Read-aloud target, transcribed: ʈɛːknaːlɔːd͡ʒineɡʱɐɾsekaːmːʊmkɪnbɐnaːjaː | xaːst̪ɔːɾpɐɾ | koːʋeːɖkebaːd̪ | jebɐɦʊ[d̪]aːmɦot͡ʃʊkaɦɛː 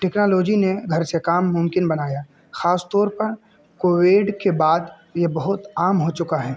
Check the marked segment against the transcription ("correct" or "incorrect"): incorrect